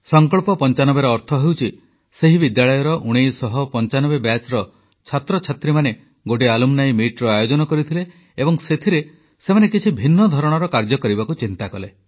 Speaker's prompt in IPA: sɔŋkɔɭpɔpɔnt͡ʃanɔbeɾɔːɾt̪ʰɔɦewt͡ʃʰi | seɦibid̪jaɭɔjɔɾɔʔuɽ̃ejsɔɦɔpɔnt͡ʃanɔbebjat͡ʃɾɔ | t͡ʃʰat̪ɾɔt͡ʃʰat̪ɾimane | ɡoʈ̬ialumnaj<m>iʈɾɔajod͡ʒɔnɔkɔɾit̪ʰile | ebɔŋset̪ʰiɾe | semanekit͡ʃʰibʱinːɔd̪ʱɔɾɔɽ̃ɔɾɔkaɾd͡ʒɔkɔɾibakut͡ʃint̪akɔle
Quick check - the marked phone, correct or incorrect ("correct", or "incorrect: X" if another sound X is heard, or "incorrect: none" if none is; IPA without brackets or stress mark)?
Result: correct